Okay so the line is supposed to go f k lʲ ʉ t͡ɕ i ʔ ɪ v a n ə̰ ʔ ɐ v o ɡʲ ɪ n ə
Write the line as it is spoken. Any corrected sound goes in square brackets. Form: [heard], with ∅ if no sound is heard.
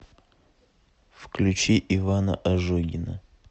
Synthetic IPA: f k lʲ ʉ t͡ɕ i ʔ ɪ v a n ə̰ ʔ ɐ [ʐ] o ɡʲ ɪ n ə